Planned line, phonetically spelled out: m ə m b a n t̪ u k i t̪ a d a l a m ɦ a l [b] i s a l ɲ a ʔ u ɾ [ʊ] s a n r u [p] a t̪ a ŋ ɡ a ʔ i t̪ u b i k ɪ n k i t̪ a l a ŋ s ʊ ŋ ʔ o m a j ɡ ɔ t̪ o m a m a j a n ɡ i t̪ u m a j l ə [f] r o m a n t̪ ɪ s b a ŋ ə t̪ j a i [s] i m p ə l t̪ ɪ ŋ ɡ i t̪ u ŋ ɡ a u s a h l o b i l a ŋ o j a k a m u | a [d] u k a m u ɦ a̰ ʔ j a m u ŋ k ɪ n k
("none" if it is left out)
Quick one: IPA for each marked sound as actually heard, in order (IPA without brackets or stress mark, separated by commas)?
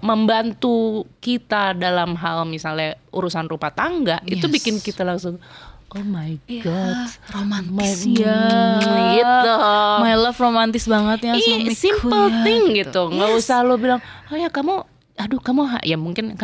m, u, p, f, s, d